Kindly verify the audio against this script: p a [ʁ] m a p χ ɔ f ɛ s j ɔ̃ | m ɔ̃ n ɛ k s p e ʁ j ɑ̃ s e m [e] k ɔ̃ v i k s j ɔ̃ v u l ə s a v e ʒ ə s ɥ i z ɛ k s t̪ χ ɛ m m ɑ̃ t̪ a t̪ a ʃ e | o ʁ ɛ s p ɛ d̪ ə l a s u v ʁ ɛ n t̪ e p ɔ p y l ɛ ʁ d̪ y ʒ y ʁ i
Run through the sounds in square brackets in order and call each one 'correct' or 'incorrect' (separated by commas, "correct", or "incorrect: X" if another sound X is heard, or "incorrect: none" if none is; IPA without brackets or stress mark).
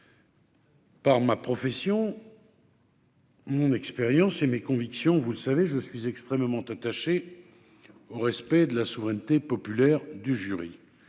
correct, correct